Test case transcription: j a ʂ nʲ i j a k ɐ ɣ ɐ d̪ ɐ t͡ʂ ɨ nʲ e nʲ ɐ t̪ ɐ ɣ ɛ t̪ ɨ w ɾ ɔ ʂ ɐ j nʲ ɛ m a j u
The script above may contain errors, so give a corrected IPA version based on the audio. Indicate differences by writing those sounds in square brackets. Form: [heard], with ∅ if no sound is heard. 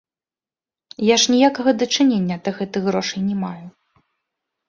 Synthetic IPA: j a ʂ nʲ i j a k ɐ ɣ ɐ d̪ ɐ t͡ʂ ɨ nʲ e [nʲː] ɐ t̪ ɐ ɣ ɛ t̪ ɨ [ɣ] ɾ ɔ ʂ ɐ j nʲ ɛ m a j u